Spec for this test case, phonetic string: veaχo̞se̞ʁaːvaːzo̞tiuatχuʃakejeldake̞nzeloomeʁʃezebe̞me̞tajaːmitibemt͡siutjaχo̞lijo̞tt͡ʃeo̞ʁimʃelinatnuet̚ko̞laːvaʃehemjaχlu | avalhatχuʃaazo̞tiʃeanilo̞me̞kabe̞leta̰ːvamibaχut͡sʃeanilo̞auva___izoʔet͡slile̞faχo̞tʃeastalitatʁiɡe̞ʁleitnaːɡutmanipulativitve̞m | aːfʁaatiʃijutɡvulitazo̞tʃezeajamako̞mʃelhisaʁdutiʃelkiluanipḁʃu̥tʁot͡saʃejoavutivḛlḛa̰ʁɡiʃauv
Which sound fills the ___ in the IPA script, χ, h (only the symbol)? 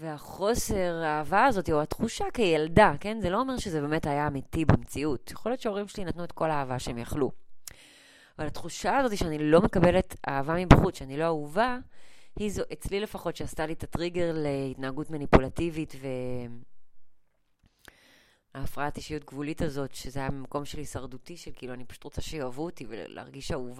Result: h